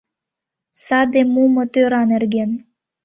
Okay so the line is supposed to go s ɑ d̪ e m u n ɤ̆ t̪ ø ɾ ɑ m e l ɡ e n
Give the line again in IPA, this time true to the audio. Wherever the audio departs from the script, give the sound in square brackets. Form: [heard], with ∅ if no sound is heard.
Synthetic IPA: s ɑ d̪ e m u [m] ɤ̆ t̪ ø ɾ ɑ [n] e [r] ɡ e n